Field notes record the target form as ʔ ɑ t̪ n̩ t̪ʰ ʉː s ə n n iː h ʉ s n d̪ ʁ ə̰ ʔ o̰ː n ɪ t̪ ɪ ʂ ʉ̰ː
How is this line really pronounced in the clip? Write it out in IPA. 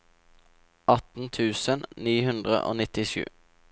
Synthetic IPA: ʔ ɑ t̪ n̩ t̪ʰ ʉː s ə n n iː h ʉ n d̪ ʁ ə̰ ʔ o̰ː n ɪ t̪ ɪ ʃ ʉ̰ː